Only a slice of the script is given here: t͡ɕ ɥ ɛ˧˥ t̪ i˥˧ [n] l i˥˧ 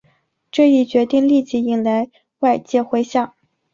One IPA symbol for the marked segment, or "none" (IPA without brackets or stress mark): ŋ